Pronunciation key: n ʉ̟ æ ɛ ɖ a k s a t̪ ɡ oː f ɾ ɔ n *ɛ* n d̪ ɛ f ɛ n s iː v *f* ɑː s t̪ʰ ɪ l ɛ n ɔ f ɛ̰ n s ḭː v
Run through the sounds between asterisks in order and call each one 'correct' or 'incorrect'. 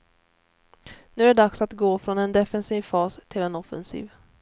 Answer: correct, correct

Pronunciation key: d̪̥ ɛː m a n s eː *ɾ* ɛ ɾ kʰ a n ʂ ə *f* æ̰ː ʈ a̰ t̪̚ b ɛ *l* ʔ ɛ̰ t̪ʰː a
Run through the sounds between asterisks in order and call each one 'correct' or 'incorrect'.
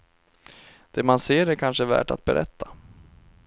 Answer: correct, incorrect, incorrect

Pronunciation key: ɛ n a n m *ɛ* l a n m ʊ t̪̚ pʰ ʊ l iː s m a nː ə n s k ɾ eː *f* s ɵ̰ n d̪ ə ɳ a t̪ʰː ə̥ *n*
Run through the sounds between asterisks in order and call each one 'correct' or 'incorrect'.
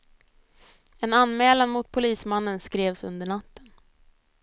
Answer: incorrect, incorrect, correct

